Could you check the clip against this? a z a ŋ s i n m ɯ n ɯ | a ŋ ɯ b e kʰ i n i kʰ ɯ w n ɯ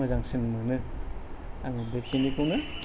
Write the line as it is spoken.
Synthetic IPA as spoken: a z a ŋ s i n m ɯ n ɯ | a ŋ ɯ b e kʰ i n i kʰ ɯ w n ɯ